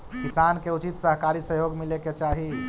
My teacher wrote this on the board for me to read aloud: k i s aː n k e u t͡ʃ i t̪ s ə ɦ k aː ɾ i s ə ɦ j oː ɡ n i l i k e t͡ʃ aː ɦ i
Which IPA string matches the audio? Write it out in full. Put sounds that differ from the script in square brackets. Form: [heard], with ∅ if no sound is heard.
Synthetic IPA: k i s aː n k e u t͡ʃ i t̪ s ə ɦ k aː ɾ i s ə ɦ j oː ɡ [m] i l [e] k e t͡ʃ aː ɦ i